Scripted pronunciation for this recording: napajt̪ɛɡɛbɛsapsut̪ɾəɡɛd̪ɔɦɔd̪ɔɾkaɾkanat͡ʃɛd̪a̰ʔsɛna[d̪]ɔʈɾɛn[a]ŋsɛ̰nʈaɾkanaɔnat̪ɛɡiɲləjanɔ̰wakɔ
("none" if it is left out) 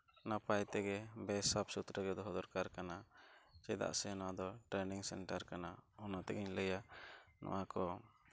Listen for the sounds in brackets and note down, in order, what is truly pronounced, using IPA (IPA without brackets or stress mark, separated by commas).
d̪, i